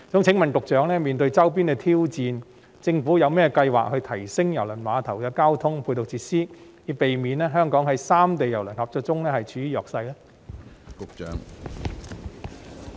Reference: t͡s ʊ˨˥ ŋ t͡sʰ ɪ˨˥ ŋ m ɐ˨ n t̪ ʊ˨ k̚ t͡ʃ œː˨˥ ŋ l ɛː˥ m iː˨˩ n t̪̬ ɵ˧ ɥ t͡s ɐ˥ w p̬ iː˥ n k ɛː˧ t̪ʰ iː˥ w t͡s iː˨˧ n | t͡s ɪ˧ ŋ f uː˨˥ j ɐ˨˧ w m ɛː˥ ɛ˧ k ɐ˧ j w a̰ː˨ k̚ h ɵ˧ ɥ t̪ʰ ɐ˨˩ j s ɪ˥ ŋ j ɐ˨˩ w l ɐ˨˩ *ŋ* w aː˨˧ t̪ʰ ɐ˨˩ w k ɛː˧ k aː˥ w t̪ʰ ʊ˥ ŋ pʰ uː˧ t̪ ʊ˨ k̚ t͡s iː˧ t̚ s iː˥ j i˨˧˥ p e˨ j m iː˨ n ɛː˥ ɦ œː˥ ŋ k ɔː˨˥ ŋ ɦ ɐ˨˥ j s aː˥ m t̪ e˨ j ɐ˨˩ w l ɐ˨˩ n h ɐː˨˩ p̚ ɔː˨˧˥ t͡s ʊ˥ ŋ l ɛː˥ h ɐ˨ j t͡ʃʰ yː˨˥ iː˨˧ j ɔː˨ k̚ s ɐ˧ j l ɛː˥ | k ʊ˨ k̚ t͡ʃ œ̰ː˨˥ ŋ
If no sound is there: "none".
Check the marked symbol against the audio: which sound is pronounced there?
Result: n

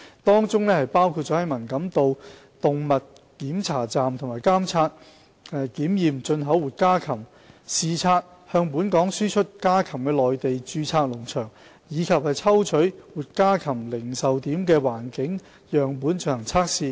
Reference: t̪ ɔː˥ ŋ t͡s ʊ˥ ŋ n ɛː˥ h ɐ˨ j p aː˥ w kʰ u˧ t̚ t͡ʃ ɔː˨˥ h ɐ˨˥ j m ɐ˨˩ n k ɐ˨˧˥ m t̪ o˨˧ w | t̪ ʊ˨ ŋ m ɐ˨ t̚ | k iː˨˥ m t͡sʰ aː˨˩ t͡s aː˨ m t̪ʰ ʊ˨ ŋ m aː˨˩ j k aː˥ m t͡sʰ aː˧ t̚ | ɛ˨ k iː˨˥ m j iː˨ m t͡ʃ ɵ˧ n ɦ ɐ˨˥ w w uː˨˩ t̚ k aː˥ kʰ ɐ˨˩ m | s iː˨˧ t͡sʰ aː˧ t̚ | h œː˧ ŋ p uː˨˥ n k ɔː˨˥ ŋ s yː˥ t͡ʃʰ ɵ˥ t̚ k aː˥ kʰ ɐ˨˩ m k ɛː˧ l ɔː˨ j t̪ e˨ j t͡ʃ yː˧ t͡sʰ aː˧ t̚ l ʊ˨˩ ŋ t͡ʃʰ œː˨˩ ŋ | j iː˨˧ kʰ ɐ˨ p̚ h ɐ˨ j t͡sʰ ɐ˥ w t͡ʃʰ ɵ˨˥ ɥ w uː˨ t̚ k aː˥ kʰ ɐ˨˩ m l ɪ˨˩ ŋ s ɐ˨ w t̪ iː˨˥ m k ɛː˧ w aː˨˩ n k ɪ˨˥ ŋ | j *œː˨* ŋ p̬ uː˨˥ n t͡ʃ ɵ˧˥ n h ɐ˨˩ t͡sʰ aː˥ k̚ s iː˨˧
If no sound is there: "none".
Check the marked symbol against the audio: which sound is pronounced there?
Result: œː˨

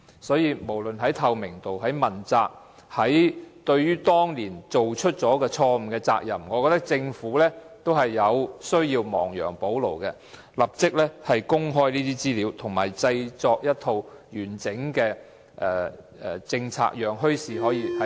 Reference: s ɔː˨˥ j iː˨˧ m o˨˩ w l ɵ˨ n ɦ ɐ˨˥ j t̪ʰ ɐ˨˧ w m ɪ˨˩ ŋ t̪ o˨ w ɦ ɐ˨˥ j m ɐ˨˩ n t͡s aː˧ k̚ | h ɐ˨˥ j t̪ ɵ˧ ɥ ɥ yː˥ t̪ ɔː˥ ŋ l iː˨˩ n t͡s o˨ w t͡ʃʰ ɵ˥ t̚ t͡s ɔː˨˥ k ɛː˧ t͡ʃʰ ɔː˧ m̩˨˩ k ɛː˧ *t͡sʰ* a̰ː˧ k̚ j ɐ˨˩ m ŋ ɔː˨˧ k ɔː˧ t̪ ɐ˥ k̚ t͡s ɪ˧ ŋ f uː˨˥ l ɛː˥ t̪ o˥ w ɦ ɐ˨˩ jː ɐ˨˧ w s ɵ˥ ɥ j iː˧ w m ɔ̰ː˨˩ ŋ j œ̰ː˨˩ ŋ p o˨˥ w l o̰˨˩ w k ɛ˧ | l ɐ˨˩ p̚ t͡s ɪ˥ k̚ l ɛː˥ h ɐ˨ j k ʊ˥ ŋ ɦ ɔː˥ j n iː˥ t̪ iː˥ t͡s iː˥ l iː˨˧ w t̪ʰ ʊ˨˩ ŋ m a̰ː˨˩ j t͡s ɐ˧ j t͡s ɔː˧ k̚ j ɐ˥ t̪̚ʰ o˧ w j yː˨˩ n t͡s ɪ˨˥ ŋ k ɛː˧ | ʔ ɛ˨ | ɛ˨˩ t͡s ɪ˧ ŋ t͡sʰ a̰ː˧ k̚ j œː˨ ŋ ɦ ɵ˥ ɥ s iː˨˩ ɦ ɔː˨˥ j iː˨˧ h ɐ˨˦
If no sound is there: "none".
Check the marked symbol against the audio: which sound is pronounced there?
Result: t͡s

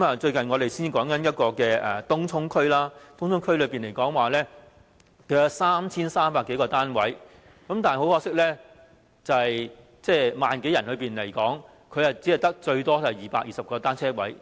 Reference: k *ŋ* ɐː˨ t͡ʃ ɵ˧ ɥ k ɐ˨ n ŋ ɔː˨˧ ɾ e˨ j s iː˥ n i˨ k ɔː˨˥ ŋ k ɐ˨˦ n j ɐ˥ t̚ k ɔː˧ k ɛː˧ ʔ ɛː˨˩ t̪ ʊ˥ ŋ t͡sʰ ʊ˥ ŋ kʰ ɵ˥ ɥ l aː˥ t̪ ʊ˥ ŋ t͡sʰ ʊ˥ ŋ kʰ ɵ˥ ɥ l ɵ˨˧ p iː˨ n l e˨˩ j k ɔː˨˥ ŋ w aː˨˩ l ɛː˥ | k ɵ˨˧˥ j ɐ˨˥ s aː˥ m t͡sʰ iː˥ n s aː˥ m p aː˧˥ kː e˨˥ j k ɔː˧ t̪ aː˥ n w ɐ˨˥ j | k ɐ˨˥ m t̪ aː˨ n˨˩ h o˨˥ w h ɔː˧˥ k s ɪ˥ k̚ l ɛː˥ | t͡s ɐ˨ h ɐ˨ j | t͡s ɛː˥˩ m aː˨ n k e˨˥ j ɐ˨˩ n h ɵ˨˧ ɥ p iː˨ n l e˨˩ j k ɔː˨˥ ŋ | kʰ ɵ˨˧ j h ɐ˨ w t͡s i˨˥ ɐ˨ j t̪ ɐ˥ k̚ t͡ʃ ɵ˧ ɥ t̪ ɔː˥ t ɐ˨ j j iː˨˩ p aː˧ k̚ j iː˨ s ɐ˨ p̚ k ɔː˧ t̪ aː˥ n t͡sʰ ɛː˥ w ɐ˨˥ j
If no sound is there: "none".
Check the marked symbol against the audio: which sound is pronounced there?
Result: m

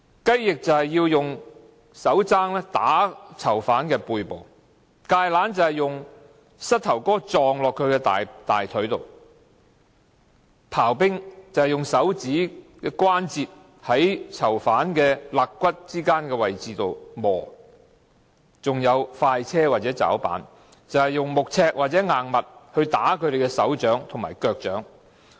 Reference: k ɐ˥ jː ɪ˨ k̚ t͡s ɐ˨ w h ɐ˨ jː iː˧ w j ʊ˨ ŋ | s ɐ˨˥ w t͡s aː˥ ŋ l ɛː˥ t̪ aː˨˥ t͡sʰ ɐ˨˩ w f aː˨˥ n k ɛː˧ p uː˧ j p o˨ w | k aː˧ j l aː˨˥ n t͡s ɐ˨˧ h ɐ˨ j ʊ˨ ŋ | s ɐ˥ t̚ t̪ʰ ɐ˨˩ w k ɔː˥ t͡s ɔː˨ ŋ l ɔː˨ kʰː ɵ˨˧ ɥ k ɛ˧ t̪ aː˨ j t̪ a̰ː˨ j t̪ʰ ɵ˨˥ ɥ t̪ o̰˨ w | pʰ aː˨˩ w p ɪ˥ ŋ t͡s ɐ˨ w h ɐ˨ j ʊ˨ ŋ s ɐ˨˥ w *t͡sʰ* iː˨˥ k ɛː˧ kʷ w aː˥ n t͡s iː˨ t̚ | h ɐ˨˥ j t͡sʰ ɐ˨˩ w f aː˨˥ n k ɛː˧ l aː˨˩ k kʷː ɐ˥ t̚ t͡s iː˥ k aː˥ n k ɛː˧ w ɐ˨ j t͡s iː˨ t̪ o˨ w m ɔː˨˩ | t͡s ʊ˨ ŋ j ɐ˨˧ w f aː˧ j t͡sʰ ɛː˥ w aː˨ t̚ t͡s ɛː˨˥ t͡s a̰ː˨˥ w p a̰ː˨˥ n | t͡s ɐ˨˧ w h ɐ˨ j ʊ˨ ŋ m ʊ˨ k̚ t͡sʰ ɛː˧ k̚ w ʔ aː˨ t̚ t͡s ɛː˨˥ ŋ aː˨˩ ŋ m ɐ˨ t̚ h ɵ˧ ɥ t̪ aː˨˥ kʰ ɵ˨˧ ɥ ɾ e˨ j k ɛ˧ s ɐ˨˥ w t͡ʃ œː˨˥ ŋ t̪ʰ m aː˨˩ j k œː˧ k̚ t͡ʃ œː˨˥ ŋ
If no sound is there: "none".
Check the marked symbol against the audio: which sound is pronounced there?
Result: t͡s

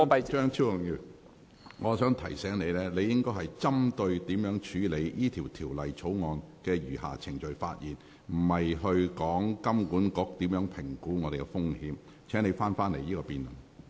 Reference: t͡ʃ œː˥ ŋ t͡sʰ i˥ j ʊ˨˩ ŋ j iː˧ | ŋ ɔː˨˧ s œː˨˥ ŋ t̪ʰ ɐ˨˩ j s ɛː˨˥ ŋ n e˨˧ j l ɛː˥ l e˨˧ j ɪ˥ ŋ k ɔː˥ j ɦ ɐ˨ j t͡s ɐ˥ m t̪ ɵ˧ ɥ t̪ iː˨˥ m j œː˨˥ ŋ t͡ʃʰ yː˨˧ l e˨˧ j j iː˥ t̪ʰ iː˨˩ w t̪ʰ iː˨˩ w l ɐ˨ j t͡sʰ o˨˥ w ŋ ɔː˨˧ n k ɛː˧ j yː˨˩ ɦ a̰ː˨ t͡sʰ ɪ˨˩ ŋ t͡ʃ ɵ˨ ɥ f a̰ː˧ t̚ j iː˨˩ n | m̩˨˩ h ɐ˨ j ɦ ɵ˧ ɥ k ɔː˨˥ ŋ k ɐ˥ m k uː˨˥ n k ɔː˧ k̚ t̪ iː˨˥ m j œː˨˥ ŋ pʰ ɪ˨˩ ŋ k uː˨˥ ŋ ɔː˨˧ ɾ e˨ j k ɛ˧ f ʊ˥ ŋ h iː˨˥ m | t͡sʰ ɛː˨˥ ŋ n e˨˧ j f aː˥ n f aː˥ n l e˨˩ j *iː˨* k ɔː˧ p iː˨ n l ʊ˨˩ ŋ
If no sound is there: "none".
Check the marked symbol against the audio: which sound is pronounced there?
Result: iː˥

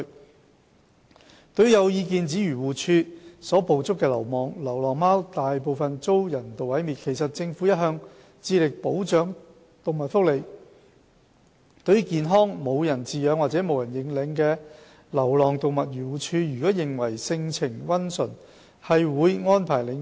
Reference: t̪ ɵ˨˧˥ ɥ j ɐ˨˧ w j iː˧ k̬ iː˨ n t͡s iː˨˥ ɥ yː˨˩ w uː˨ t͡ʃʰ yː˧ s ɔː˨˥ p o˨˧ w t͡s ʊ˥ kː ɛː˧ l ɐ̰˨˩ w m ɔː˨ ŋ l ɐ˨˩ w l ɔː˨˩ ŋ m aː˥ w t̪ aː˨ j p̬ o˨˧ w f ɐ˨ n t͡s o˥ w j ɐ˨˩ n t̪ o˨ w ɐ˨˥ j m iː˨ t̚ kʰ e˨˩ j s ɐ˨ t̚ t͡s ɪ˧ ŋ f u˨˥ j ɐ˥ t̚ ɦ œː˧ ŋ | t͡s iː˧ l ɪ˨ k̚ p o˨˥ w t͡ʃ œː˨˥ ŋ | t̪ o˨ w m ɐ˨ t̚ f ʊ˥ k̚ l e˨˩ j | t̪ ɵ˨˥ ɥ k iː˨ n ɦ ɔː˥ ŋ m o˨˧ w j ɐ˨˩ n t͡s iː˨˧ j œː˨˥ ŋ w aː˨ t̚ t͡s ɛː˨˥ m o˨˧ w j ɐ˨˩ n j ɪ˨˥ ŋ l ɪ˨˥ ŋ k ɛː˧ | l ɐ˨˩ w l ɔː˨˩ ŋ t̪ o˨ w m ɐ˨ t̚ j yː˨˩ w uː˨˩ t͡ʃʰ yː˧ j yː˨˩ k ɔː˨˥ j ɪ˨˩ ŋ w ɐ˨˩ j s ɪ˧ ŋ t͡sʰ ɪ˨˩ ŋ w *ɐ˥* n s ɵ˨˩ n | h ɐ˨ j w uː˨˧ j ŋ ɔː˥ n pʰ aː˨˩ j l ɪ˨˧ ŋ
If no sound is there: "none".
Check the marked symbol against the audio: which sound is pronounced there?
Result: ɐ˥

